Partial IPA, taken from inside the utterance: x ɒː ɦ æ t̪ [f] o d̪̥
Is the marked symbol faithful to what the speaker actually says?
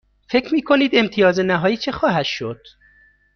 no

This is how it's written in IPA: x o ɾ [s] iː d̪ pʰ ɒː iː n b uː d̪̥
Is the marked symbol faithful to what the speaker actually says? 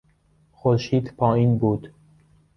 no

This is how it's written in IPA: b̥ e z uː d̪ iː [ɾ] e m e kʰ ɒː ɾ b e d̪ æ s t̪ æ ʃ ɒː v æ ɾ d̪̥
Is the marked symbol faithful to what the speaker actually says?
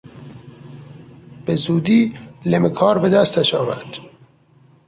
no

